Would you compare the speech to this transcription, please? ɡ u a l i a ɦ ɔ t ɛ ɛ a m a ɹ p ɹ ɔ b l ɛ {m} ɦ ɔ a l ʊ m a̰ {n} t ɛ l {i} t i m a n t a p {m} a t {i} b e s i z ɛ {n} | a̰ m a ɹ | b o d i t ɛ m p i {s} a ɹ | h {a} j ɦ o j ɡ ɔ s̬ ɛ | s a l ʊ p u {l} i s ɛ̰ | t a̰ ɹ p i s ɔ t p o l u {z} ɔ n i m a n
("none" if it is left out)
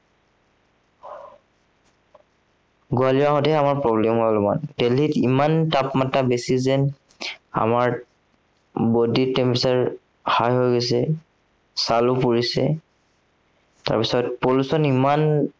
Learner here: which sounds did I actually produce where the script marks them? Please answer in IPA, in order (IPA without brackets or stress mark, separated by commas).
m, n, i, m, a, n, s, a, ɹ, s